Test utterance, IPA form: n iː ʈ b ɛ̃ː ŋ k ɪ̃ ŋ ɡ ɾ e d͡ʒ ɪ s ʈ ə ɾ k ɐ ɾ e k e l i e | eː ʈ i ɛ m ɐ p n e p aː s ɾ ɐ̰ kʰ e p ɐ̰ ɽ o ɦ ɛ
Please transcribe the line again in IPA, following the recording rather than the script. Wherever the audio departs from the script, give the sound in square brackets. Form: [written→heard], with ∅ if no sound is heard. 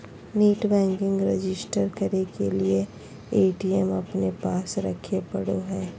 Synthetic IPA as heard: n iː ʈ b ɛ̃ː ŋ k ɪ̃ ŋ ɡ ɾ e d͡ʒ ɪ s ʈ ə ɾ k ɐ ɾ e k e l i e | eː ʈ i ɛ m ɐ p n e p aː s ɾ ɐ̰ kʰ e p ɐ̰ ɽ o ɦ [ɛ→ɛː]